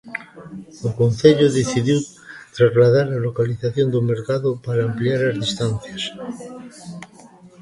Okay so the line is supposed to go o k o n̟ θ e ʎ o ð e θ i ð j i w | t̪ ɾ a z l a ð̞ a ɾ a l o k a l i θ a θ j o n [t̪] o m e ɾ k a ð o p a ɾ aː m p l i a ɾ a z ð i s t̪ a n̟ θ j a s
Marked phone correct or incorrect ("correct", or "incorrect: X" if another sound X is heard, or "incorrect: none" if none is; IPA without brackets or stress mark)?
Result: incorrect: d̪